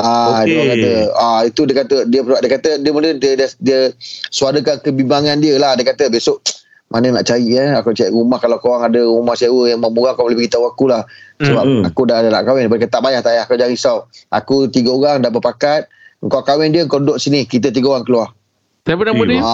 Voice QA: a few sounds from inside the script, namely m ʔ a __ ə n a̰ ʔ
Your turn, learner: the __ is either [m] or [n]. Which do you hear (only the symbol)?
n